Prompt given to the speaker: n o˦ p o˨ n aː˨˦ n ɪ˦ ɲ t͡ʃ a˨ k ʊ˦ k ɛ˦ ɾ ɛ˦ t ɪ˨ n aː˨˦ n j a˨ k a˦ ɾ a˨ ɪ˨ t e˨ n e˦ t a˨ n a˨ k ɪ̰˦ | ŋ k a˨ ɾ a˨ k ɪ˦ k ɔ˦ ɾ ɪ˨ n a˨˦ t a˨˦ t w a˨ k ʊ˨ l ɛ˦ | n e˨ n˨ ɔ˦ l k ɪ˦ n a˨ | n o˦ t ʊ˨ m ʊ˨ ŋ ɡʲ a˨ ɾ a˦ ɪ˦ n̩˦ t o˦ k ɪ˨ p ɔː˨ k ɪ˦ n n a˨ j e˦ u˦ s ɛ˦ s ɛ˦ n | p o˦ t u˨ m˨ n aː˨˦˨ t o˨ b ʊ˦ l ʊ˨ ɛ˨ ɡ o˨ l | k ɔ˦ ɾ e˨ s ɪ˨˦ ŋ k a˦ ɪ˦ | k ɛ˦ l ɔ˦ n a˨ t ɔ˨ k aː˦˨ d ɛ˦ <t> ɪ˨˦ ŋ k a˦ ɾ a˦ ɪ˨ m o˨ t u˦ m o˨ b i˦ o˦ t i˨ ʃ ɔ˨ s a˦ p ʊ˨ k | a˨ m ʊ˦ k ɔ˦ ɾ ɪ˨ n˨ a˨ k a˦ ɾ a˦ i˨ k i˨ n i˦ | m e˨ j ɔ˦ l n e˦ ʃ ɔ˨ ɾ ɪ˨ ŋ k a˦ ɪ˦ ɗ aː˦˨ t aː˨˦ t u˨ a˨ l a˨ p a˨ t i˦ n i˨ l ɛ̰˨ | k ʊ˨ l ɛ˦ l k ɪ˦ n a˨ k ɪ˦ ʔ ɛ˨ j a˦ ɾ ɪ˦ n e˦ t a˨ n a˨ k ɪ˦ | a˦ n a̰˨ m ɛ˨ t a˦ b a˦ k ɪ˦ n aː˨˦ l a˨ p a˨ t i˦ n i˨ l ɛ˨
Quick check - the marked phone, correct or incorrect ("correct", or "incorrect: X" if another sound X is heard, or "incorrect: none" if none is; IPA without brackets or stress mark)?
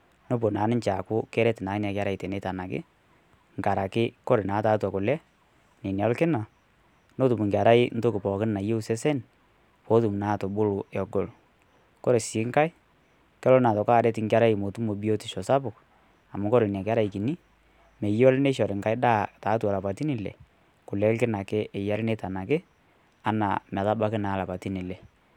correct